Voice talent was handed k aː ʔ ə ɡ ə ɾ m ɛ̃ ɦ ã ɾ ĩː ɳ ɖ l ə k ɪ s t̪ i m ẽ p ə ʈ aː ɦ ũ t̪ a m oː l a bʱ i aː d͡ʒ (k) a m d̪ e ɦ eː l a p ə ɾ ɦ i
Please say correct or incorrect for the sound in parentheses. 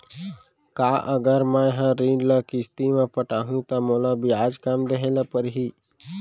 correct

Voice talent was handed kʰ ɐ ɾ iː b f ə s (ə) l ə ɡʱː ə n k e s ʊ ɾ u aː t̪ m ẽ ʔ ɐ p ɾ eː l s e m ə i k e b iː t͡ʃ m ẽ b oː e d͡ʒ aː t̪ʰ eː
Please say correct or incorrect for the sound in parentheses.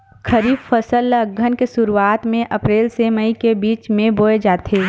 correct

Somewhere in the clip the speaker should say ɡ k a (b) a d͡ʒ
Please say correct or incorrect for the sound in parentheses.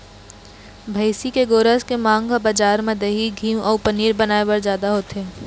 correct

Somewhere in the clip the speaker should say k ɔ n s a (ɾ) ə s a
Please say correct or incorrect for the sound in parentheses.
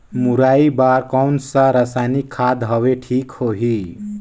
correct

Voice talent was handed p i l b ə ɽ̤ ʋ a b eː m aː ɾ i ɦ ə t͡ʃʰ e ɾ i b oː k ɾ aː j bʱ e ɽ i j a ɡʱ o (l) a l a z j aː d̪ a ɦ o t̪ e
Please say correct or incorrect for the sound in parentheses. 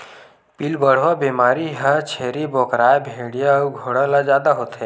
incorrect: ɽ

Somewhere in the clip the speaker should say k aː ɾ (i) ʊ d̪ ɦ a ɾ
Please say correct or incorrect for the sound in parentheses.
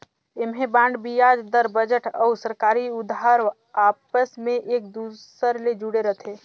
correct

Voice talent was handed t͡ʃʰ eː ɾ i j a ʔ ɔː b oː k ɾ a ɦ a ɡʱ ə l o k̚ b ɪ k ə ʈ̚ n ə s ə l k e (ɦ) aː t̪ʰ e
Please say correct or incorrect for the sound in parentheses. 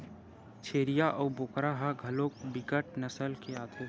incorrect: none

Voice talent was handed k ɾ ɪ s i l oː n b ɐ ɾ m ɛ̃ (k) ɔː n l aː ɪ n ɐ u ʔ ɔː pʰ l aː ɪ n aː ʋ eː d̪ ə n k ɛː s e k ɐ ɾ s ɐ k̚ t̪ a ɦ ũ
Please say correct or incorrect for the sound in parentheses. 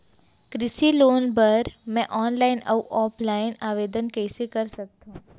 incorrect: ʔ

